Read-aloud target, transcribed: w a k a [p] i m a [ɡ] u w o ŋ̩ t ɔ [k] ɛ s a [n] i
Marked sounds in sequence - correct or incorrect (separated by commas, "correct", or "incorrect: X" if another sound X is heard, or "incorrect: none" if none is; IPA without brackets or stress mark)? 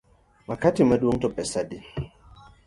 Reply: incorrect: t, incorrect: d, incorrect: p, incorrect: d